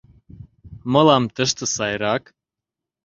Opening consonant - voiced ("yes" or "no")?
yes